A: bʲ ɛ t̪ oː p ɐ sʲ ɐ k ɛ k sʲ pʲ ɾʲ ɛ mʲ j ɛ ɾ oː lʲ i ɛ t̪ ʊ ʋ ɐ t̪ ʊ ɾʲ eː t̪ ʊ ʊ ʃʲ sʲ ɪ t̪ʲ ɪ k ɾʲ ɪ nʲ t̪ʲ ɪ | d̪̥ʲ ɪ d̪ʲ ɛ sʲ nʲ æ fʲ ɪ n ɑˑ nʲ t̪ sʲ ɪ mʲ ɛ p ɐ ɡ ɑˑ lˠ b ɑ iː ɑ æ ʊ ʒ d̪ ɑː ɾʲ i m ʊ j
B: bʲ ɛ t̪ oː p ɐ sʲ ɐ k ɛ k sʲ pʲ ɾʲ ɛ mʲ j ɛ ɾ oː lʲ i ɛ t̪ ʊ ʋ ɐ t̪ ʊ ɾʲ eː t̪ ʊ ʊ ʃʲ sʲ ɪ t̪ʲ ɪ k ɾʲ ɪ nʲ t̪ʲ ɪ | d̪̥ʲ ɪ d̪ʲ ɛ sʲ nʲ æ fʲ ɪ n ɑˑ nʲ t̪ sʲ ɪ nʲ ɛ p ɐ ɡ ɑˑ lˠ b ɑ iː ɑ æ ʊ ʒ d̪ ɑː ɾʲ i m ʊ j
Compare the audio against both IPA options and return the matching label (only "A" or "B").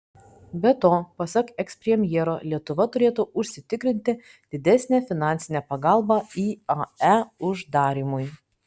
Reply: B